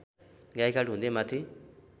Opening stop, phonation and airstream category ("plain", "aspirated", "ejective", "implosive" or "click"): plain